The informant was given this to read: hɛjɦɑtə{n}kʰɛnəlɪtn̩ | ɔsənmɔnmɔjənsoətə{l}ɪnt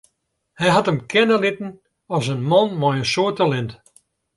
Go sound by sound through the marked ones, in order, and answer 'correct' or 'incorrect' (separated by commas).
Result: incorrect, correct